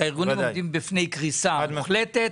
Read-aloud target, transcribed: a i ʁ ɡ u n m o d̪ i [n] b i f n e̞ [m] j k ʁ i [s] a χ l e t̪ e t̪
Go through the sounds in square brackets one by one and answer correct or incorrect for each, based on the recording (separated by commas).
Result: incorrect, incorrect, correct